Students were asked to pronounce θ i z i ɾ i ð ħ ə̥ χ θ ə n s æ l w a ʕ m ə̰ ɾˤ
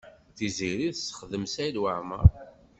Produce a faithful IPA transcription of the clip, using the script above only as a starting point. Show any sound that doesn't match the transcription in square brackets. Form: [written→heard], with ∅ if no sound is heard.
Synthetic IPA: θ i z i ɾ i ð [ħ→s] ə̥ χ [θ→ð] ə [n→m] s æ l w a ʕ m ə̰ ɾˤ